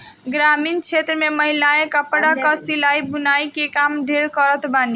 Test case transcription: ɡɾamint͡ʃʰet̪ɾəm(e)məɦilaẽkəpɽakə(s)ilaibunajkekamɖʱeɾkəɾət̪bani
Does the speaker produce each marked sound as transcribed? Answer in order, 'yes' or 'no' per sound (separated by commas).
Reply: yes, yes